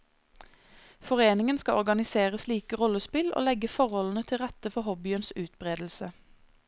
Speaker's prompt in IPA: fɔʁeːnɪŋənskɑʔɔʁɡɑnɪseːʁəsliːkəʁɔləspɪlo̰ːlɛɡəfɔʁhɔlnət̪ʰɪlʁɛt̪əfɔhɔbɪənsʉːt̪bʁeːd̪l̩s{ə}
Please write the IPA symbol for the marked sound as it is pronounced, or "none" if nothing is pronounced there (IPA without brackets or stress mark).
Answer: ə